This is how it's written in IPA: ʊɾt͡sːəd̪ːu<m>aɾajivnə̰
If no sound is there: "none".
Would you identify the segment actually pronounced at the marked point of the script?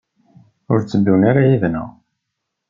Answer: n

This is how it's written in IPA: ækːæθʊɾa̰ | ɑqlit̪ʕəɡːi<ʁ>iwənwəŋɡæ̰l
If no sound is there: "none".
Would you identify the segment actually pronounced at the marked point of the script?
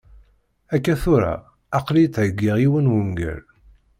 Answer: ʁ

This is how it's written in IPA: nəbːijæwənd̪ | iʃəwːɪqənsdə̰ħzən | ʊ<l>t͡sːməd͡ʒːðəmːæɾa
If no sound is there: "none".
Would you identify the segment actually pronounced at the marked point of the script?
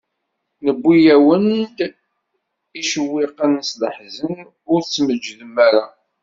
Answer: ɾ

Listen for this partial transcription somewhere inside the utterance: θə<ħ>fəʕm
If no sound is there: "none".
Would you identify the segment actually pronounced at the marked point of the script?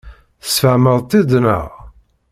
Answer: s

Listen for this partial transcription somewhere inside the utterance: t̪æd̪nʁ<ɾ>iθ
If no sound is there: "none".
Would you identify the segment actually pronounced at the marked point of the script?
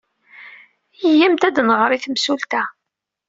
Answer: ɾ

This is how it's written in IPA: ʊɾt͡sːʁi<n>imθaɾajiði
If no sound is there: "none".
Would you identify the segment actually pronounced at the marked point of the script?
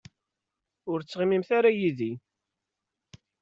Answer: m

